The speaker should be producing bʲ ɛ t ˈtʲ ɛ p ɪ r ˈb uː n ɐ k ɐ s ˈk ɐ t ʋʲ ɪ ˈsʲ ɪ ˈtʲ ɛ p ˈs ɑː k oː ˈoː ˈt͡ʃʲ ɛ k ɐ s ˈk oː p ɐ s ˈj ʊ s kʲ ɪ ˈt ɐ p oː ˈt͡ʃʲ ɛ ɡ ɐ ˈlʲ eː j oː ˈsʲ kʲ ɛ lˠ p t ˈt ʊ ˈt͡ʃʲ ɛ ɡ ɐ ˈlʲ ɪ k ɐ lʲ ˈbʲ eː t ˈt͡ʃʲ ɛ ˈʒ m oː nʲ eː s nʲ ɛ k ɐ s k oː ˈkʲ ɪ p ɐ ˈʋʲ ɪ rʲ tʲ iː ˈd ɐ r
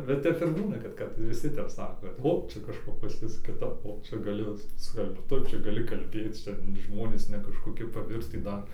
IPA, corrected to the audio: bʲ ɛ t ˈtʲ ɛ p ɪ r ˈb uː n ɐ k ɐ t ˈk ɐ t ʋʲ ɪ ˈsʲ ɪ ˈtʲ ɛ p ˈs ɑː k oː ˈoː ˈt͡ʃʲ ɛ k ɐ ʃ ˈk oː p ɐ s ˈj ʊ s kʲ ɪ ˈt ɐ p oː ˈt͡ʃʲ ɛ ɡ ɐ ˈlʲ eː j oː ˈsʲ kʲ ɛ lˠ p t ˈt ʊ ˈt͡ʃʲ ɛ ɡ ɐ ˈlʲ ɪ k ɐ lʲ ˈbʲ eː t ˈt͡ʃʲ ɛ ˈʒ m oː nʲ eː s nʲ ɛ k ɐ ʃ k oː ˈkʲ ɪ p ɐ ˈʋʲ ɪ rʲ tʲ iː ˈd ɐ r